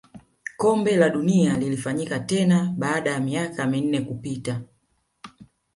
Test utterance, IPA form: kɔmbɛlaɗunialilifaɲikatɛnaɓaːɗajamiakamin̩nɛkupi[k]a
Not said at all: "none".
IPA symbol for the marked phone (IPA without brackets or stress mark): t